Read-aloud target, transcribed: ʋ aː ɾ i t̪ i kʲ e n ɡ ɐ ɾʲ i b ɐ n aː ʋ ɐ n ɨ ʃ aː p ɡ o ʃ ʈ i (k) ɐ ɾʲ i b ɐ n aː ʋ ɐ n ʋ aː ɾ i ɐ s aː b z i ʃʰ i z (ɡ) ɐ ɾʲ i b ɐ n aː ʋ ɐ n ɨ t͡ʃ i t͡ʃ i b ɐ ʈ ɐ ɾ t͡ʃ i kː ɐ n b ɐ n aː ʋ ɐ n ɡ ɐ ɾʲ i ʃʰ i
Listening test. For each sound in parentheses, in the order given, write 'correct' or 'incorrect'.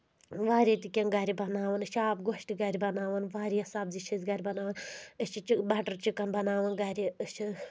incorrect: ɡ, correct

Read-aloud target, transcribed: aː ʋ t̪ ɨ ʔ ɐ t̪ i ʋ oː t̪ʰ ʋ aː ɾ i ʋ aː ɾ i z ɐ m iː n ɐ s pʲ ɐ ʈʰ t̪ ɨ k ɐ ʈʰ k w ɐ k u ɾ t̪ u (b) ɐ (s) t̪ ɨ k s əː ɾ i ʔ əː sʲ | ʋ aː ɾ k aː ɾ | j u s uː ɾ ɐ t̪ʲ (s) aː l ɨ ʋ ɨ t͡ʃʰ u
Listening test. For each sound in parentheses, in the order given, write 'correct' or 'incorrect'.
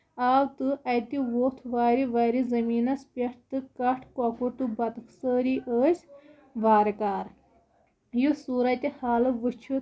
correct, incorrect: none, incorrect: h

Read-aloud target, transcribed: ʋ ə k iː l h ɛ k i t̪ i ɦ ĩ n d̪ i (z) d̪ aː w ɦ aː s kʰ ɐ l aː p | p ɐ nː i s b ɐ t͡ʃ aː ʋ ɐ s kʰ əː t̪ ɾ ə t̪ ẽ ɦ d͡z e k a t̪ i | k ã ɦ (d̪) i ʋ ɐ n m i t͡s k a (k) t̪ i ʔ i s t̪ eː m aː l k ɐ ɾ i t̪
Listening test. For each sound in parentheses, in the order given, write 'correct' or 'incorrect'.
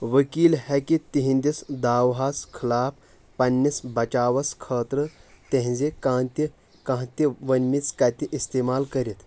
incorrect: s, incorrect: t̪, incorrect: none

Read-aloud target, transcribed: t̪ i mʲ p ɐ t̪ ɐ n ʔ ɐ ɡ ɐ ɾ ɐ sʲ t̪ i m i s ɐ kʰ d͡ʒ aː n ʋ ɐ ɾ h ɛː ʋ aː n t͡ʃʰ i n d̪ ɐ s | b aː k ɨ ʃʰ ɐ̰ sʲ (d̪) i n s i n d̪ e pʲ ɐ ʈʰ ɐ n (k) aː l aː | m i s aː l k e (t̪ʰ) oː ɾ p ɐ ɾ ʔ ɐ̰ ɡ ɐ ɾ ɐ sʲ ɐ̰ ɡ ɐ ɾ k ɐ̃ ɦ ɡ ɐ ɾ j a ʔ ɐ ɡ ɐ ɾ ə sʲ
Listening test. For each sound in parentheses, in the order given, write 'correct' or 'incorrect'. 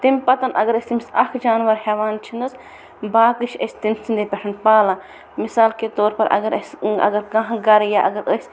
incorrect: t̪, incorrect: p, incorrect: t̪

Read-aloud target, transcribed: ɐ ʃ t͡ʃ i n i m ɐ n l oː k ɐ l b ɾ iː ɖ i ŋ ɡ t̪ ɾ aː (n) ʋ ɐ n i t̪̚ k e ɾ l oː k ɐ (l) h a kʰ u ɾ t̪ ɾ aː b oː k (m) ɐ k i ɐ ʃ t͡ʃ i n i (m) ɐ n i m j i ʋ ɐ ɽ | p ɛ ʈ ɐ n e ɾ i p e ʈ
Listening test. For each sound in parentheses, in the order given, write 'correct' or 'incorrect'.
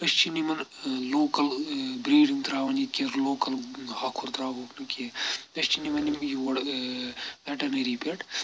incorrect: none, correct, incorrect: n, correct

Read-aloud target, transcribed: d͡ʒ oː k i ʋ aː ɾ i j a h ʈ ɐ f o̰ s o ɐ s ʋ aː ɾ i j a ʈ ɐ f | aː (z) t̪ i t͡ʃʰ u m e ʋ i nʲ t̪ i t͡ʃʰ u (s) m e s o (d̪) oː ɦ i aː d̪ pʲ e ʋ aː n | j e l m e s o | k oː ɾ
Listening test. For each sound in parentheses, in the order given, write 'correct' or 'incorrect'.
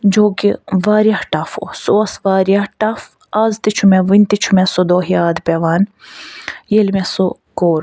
correct, incorrect: none, correct

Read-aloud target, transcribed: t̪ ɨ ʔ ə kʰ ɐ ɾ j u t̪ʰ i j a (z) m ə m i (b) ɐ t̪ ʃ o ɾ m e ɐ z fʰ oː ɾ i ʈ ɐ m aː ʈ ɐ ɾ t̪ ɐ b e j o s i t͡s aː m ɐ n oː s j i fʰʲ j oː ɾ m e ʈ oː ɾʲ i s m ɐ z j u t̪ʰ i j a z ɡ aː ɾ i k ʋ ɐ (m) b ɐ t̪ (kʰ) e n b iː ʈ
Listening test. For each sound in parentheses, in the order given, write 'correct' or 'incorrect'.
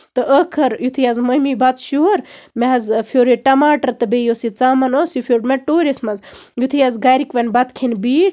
correct, correct, incorrect: n, correct

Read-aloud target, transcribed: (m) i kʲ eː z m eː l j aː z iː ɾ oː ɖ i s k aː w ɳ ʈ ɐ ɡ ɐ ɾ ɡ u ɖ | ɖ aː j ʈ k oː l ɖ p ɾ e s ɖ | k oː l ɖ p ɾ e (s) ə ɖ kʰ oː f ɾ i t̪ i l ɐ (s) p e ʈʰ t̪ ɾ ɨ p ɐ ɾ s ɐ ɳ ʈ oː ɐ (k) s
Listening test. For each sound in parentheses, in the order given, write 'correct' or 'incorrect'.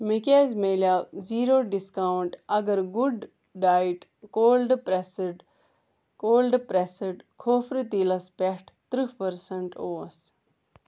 correct, correct, correct, incorrect: none

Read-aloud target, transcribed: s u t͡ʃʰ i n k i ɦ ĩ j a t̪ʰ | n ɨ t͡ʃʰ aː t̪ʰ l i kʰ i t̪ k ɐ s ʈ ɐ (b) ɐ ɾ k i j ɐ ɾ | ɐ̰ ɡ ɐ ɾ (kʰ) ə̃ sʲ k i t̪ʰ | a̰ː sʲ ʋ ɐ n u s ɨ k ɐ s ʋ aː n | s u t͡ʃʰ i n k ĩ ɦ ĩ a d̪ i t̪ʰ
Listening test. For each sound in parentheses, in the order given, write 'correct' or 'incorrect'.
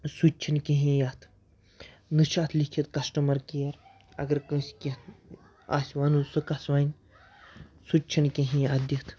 incorrect: m, incorrect: k

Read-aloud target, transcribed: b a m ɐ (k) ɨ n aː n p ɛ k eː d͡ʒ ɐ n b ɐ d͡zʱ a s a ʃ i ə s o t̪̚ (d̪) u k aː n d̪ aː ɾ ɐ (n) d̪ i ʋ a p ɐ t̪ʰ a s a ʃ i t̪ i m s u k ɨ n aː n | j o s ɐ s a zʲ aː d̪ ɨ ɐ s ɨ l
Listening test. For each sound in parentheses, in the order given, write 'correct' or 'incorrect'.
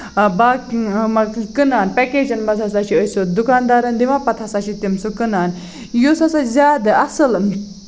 correct, correct, correct

